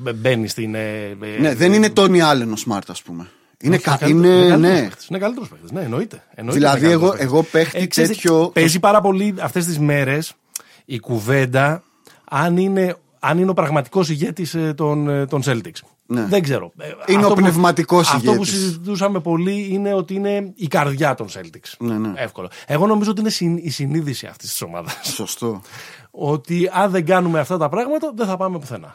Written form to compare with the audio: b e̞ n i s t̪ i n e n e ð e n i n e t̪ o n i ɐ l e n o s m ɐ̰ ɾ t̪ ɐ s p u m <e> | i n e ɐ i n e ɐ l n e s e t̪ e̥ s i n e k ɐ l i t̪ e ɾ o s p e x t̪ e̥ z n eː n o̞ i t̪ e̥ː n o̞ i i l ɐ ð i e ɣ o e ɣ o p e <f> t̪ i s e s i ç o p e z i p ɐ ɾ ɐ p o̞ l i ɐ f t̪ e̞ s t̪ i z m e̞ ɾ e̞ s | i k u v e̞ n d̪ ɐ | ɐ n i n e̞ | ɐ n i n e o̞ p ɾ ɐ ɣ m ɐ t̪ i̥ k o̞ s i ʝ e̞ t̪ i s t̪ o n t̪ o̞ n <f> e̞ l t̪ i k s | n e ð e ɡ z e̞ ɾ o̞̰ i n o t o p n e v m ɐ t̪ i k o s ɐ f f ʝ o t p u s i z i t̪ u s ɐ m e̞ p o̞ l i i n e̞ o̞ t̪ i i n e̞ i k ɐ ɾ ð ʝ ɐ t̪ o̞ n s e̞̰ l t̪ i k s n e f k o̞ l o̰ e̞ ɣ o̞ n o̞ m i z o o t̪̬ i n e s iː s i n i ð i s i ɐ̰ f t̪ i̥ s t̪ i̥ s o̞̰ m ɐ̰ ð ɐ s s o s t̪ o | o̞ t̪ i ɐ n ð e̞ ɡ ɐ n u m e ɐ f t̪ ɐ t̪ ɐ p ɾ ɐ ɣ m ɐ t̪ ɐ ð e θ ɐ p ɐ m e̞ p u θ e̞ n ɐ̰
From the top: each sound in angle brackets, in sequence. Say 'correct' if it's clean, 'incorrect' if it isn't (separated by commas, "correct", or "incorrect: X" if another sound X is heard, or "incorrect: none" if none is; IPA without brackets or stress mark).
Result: correct, incorrect: x, incorrect: s